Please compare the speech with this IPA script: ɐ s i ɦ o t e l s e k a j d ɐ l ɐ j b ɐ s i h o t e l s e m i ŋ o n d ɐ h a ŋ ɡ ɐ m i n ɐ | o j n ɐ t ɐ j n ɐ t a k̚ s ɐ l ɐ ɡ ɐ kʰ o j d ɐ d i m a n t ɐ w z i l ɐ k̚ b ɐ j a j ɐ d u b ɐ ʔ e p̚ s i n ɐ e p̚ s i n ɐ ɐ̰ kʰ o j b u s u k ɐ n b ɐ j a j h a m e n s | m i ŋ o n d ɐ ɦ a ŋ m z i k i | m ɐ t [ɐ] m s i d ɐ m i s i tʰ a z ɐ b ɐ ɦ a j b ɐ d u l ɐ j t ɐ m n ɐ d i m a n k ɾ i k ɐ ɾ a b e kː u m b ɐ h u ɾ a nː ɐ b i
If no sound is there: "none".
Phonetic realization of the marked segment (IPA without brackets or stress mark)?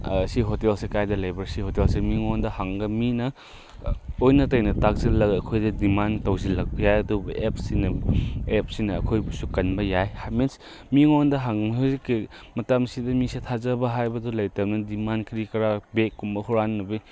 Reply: a